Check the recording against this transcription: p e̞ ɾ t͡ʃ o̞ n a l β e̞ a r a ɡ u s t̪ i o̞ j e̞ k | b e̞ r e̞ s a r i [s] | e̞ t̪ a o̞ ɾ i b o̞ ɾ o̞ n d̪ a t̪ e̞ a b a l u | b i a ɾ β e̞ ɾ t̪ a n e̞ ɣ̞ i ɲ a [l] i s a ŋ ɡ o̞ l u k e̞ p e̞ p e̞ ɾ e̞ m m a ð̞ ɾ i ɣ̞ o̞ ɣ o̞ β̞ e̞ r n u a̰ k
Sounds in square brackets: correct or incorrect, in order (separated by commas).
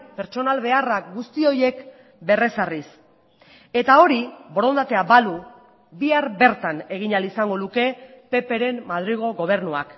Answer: correct, correct